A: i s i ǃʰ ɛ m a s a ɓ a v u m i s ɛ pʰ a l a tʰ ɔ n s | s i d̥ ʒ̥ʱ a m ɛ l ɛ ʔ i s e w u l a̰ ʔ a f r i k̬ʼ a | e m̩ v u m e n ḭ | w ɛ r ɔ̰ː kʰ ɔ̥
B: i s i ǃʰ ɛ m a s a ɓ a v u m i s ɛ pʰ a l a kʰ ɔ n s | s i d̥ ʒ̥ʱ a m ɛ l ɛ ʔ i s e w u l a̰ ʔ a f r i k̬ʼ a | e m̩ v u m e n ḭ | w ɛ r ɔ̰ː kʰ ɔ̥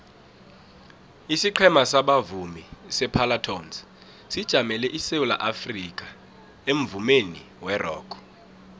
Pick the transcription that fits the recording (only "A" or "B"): A